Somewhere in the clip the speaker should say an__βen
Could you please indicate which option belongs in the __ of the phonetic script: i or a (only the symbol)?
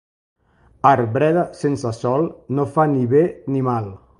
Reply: i